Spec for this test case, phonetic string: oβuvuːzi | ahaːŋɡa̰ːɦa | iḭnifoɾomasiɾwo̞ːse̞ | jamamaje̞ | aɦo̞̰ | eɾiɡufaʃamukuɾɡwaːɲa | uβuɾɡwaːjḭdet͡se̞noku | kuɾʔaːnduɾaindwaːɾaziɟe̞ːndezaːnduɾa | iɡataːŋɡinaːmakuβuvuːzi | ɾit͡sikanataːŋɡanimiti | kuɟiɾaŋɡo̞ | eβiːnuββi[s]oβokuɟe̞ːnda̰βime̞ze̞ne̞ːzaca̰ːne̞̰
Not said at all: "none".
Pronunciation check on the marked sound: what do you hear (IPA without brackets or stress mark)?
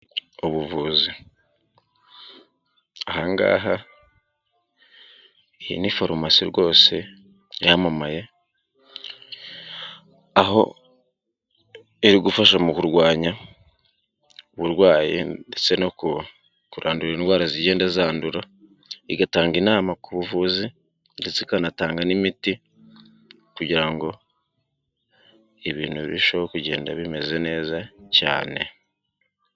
ʃ